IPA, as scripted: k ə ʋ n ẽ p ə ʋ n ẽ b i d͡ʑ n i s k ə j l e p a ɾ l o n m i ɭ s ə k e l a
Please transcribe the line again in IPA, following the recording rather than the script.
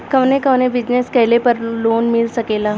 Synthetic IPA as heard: k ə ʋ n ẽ k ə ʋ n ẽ b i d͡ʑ n e s k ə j l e p ə ɾ l o n m i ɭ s ə k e l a